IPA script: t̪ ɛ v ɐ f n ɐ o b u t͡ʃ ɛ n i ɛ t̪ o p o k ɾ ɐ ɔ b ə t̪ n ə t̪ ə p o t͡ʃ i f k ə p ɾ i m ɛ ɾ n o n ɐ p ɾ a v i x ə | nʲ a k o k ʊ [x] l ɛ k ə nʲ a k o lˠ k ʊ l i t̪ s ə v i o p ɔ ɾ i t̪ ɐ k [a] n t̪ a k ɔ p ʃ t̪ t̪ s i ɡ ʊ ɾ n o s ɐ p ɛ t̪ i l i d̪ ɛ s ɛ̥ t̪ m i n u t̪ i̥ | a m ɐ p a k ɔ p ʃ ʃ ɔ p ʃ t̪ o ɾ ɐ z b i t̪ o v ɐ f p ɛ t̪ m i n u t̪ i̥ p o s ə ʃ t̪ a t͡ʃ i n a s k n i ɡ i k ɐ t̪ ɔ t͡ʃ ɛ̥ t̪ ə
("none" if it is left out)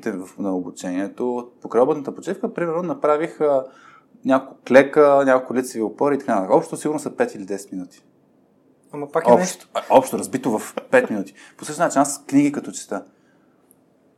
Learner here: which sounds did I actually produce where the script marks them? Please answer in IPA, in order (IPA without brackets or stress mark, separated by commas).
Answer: k, a